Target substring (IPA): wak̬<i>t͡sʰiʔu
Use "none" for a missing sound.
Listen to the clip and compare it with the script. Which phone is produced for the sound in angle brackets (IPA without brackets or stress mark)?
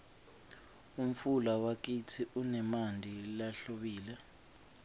i